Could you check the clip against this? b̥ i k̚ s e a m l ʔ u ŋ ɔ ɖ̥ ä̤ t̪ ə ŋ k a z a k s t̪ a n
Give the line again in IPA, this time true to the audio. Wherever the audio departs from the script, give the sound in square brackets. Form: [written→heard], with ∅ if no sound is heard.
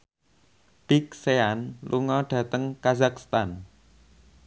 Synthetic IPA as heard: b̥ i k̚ s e a [m→n] l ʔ u ŋ ɔ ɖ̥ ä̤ t̪ ə ŋ k a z a k s t̪ a n